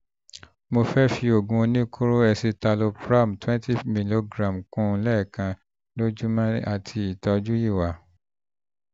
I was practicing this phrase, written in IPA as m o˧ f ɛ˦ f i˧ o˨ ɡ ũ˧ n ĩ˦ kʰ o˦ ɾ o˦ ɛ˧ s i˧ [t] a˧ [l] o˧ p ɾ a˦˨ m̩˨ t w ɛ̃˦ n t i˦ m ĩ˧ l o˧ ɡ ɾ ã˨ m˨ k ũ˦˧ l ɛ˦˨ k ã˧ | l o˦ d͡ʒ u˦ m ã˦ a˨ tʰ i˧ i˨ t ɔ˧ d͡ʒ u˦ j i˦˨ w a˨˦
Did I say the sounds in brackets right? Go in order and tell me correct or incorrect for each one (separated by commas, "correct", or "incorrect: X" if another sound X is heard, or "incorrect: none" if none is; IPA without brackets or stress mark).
correct, correct